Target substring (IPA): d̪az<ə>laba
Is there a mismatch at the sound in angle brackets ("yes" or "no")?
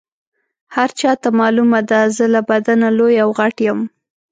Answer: no